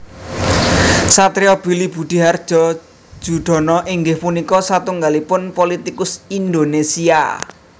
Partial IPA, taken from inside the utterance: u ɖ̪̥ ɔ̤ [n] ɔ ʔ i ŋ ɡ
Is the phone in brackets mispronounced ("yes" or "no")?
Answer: no